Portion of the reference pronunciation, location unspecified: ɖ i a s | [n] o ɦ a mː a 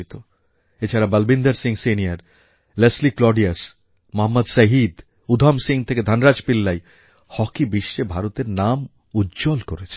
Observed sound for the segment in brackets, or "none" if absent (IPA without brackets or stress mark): m